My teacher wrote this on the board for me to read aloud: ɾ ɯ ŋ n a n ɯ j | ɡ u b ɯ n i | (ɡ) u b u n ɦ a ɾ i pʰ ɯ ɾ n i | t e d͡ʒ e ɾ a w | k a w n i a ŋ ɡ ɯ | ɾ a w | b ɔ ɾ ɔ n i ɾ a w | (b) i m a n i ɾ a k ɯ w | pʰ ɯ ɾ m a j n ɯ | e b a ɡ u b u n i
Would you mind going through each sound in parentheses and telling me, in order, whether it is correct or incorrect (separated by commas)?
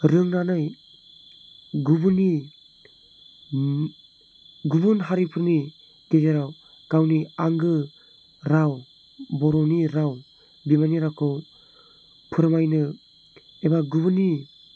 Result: correct, correct